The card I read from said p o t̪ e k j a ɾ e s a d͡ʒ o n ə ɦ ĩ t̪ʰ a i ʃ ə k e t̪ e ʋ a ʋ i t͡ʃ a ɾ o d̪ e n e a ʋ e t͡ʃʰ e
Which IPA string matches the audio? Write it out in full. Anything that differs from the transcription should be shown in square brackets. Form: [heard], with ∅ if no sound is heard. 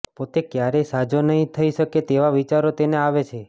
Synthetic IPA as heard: p o t̪ e k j a ɾ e s a d͡ʒ o n ə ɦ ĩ t̪ʰ [ə] i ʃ ə k e t̪ e ʋ a ʋ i t͡ʃ a ɾ o [t̪] e n e a ʋ e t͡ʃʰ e